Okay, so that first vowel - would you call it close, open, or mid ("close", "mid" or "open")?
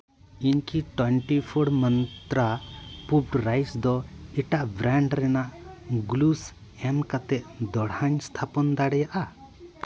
close